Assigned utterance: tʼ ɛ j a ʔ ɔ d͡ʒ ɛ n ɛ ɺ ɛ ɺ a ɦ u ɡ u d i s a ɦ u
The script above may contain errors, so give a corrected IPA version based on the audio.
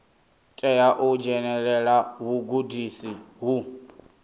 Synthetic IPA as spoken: tʼ ɛ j a ʔ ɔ d͡ʒ ɛ n ɛ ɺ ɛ ɺ a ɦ u ɡ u d i s i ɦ u